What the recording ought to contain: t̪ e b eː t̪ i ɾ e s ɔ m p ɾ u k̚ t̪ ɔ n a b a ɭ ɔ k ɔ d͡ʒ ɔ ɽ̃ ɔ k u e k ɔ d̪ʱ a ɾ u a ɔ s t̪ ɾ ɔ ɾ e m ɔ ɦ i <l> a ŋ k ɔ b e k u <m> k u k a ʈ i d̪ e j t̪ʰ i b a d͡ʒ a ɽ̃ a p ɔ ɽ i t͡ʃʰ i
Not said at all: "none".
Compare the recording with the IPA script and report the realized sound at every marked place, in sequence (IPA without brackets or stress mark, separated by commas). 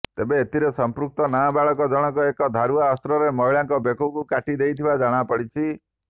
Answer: ɭ, none